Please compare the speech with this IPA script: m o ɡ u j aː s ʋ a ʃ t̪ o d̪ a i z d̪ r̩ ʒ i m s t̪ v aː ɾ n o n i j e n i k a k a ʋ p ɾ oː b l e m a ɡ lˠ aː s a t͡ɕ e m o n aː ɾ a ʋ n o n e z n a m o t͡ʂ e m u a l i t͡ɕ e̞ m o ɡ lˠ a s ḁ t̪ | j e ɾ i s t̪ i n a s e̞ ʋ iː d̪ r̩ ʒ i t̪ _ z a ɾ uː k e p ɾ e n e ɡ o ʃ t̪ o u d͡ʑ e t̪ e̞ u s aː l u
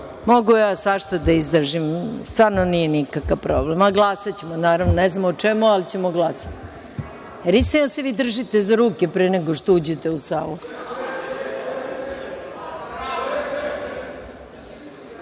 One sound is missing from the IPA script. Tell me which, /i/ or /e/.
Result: e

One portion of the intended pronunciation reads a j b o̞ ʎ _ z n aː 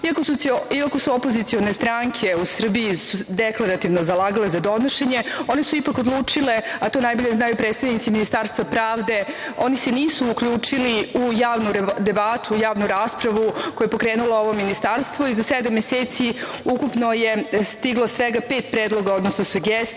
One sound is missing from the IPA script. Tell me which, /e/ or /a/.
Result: e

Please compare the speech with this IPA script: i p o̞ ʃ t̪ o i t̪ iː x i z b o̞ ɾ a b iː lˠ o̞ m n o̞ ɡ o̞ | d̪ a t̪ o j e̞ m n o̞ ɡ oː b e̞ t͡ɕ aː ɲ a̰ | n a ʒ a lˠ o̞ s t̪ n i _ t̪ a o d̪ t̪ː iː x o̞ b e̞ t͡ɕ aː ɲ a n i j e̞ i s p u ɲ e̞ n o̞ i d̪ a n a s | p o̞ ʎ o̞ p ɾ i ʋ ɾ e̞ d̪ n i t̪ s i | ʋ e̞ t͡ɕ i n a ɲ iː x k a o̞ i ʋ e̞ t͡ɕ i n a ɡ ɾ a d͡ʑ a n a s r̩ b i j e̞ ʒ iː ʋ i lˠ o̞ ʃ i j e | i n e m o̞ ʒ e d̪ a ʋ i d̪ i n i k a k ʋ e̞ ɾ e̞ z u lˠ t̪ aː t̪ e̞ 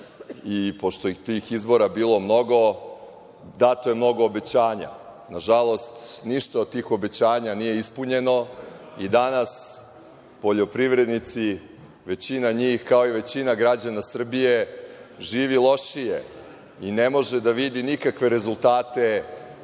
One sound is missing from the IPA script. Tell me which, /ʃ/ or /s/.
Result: ʃ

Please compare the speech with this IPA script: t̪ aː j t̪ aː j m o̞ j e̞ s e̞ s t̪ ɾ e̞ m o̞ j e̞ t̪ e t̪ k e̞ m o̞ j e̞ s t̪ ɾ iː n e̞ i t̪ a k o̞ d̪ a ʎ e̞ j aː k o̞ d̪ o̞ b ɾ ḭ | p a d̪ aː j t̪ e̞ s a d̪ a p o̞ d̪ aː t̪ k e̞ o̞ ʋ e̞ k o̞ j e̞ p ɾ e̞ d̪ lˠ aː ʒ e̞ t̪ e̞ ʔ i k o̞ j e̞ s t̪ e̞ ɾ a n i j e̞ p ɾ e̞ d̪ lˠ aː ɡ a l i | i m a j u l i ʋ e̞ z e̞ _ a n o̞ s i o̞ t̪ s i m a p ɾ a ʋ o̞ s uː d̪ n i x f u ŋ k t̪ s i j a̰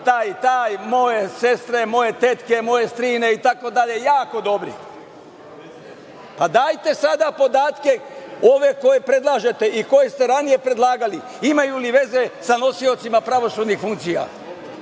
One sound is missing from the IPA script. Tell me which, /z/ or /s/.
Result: s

